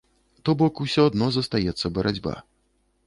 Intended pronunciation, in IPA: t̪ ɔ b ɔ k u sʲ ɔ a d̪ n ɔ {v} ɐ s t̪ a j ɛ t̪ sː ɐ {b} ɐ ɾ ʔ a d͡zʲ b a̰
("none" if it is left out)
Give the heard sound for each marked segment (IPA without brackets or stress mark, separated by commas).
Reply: z, b